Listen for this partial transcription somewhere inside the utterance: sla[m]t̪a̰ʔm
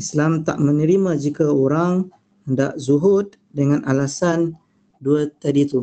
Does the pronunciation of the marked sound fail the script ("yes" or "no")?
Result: no